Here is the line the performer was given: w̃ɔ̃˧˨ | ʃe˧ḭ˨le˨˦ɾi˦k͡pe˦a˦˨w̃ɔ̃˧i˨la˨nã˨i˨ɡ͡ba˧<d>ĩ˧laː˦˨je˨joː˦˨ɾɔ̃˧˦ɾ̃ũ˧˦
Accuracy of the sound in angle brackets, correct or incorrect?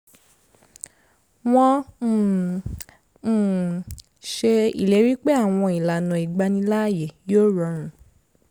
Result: incorrect